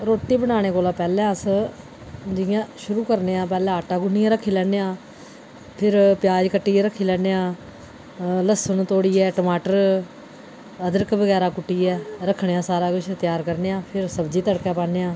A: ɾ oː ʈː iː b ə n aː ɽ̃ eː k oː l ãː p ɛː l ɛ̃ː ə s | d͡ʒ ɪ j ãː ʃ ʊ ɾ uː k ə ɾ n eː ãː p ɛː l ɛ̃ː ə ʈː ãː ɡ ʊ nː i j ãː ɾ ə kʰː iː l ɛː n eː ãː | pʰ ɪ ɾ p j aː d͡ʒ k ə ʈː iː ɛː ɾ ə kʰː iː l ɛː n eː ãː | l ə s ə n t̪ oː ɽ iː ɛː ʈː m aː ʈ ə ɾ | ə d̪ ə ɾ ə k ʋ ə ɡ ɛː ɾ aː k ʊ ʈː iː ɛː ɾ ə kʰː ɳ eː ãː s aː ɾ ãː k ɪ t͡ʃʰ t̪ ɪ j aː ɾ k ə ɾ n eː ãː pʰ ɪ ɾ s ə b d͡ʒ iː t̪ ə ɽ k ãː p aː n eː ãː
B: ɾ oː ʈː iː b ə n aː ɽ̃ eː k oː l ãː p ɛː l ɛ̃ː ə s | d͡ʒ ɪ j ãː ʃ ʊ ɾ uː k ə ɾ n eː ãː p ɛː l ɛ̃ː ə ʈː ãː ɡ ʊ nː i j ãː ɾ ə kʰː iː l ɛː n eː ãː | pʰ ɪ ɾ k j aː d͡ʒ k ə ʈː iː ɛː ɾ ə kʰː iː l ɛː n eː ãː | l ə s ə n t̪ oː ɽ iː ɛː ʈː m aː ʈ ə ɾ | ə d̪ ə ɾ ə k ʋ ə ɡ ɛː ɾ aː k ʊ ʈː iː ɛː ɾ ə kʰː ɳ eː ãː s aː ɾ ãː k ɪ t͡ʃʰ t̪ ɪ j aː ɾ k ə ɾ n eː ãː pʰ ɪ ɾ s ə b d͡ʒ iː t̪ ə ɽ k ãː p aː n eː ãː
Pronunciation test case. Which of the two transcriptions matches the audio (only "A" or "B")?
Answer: A